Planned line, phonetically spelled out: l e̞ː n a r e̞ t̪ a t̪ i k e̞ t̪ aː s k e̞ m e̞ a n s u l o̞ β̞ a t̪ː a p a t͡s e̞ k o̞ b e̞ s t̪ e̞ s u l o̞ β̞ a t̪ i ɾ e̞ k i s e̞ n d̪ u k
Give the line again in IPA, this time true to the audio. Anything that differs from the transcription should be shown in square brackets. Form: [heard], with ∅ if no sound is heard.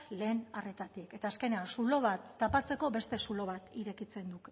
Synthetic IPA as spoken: l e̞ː n a r e̞ t̪ a t̪ i k e̞ t̪ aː s k e̞ [n] e̞ a n s u l o̞ β̞ a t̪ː a p a t͡s e̞ k o̞ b e̞ s t̪ e̞ s u l o̞ β̞ a t̪ i ɾ e̞ k i [t͡s] e̞ n d̪ u k